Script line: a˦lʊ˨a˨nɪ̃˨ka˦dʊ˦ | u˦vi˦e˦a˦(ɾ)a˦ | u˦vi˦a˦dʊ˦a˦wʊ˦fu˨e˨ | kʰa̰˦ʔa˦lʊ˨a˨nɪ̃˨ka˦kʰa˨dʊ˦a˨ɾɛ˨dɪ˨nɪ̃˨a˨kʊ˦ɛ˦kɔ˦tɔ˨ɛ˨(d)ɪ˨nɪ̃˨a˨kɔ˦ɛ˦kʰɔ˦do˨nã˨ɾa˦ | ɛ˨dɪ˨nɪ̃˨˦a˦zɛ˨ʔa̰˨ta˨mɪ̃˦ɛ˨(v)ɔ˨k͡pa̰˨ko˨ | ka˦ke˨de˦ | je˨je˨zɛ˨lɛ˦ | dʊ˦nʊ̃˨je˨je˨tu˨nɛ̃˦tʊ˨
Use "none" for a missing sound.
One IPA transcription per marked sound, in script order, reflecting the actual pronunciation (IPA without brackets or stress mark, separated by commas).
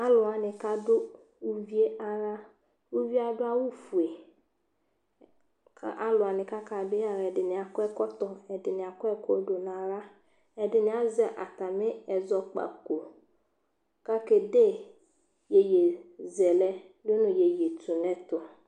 ɾ, d, z